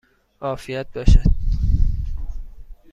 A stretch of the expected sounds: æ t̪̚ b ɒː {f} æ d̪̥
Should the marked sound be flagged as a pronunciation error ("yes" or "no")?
yes